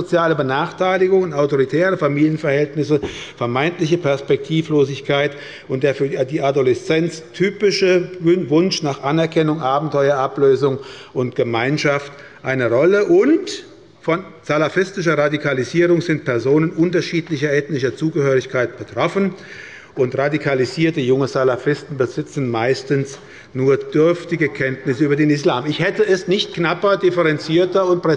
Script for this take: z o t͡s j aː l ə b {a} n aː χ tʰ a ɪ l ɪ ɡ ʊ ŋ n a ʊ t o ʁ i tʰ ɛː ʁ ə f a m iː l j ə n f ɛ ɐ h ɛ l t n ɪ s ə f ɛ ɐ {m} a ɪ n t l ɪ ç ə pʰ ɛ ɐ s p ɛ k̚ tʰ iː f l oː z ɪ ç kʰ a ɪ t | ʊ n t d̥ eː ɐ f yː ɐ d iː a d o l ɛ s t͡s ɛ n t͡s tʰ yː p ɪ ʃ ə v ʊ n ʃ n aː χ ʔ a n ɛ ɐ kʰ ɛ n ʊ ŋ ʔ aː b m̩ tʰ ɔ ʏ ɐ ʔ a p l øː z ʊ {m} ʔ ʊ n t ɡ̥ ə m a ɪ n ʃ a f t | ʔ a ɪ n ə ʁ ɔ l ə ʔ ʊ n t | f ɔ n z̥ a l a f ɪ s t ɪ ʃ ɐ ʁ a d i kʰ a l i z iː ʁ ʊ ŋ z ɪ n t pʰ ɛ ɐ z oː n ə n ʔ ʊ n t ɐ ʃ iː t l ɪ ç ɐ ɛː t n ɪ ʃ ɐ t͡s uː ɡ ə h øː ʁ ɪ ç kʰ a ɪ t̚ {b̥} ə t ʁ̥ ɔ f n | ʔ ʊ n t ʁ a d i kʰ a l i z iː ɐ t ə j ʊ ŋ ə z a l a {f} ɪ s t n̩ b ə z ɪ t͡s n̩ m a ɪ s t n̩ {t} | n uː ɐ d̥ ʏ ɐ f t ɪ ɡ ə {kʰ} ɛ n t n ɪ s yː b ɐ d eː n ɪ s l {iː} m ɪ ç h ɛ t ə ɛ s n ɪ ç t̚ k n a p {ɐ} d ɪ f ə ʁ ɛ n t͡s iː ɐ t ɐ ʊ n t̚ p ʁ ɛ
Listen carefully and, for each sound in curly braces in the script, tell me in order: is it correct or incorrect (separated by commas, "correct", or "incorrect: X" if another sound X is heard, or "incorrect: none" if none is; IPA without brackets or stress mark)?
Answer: incorrect: ə, correct, incorrect: ŋ, correct, correct, incorrect: s, correct, incorrect: aː, correct